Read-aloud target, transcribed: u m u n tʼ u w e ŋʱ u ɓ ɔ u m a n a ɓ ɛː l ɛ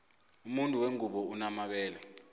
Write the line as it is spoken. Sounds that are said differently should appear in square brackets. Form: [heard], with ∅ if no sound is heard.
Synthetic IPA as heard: u m u n tʼ u w e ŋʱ u ɓ ɔ u [n] a [m] a ɓ ɛː l ɛ